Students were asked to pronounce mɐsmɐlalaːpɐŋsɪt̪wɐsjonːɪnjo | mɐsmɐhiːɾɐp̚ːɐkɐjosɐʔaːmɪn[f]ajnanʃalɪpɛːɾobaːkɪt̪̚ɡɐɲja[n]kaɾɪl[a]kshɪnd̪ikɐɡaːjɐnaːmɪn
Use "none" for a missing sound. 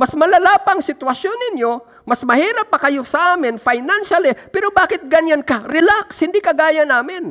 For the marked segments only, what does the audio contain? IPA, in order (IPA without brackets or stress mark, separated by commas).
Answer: f, n, a